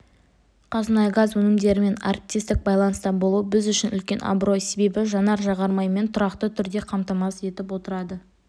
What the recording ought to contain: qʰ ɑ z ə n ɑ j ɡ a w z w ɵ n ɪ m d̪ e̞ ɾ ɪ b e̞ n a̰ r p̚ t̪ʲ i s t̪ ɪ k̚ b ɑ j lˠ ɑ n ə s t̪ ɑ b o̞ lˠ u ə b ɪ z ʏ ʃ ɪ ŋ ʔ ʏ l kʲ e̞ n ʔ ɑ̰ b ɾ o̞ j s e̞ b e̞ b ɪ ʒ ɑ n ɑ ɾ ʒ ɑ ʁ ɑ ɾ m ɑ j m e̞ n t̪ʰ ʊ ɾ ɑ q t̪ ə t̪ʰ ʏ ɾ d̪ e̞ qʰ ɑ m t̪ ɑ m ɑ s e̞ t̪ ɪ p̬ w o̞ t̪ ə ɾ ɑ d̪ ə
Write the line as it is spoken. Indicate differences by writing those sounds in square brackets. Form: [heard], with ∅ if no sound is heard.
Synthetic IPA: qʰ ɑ z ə n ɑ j ɡ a [∅] z w ɵ n ɪ m d̪ e̞ ɾ ɪ [m] e̞ n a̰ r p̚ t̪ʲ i s t̪ ɪ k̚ b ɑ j lˠ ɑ n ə s t̪ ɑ b o̞ lˠ u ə b ɪ z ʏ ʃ ɪ [n] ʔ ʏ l kʲ e̞ n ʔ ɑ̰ b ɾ o̞ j s e̞ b e̞ b ɪ ʒ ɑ n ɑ ɾ ʒ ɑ ʁ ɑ ɾ m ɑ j m e̞ n t̪ʰ ʊ ɾ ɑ q t̪ ə t̪ʰ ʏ ɾ d̪ e̞ qʰ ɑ m t̪ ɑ m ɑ s e̞ t̪ ɪ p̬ w o̞ t̪ ə ɾ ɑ d̪ ə